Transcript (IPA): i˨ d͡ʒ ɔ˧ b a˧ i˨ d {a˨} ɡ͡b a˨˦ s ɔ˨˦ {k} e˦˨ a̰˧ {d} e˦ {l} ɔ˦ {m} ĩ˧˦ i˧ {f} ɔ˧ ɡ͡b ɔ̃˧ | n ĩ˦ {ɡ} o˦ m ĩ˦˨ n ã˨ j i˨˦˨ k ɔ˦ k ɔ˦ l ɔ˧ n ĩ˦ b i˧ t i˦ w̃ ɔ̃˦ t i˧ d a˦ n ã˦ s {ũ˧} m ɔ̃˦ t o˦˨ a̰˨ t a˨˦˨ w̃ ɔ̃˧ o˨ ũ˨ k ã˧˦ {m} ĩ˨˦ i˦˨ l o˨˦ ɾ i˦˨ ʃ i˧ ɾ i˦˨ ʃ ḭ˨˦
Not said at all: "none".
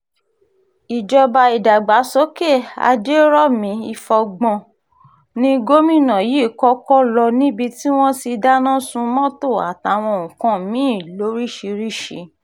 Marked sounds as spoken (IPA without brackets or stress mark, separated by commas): a˨, k, d͡ʒ, ɾ, m, f, ɡ, ũ˧, m